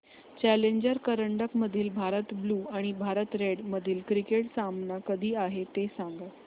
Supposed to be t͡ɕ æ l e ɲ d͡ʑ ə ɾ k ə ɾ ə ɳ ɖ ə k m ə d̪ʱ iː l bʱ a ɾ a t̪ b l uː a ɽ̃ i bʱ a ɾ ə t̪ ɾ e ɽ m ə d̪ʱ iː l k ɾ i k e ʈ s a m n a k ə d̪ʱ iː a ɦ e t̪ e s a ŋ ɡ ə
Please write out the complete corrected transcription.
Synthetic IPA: t͡ɕ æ l e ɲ d͡ʑ ə ɾ k ə ɾ ə ɳ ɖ ə k m ə d̪ʱ iː l bʱ a ɾ ə t̪ b l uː a ɽ̃ i bʱ a ɾ ə t̪ ɾ e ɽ m ə d̪ʱ iː l k ɾ i k e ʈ s a m n a k ə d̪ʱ iː a ɦ e t̪ e s a ŋ ɡ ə

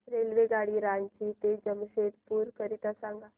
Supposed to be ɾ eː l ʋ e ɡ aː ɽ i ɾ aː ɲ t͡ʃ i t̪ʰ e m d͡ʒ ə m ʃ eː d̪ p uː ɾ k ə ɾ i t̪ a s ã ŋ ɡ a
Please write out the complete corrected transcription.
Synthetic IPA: ɾ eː l ʋ e ɡ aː ɽ i ɾ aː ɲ t͡ʃ i t̪ e d͡ʒ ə m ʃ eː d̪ p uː ɾ k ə ɾ i t̪ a s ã ŋ ɡ a

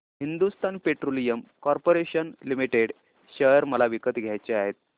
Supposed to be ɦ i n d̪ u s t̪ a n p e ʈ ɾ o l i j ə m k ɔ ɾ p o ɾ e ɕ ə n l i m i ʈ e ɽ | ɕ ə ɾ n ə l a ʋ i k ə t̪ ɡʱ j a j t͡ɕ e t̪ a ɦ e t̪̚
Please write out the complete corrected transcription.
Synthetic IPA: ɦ i n d̪ u s t̪ a n p e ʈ ɾ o l i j ə m k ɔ ɾ p o ɾ e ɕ ə n l i m i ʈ e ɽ | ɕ ə ɾ m ə l a ʋ i k ə t̪ ɡʱ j a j t͡ɕ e a ɦ e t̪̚

